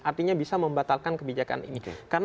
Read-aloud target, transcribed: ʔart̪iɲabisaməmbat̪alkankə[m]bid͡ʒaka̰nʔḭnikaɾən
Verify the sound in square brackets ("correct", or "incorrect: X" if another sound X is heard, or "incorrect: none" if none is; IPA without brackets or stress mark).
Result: incorrect: none